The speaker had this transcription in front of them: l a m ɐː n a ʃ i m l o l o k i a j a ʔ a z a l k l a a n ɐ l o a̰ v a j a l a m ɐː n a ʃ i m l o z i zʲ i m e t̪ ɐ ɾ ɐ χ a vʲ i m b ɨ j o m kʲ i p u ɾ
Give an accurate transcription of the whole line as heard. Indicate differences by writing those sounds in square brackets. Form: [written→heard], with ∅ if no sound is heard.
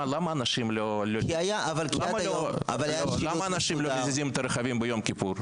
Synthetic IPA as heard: l a m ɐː n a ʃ i m l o l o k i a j a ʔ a [z→v] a l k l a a [n→m] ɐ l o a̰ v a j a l a m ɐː n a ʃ i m l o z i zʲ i m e t̪ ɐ ɾ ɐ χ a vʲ i m b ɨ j o m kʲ i p u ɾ